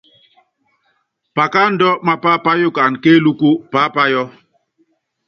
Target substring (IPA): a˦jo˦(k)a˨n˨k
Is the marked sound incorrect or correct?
correct